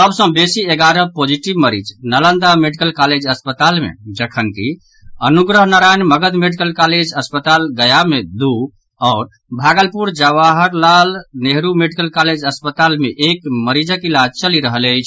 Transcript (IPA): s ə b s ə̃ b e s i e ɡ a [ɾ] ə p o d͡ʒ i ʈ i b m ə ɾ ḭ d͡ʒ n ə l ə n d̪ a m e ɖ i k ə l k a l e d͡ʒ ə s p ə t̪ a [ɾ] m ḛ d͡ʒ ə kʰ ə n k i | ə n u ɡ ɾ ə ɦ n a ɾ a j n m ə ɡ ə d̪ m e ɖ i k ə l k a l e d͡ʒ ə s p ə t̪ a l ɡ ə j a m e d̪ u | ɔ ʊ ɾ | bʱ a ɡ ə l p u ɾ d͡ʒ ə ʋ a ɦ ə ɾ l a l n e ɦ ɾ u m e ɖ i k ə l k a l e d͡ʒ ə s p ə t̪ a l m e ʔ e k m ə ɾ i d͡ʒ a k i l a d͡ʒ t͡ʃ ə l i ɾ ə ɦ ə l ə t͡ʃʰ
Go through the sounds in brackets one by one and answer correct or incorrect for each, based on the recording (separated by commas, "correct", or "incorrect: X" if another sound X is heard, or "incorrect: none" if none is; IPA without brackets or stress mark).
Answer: correct, incorrect: l